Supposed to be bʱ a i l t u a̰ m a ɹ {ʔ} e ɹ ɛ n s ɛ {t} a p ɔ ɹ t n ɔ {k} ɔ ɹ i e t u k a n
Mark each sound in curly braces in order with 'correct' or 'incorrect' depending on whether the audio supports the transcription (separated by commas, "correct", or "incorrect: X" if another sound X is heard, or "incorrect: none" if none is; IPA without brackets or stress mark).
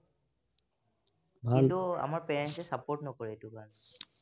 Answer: incorrect: p, incorrect: s, correct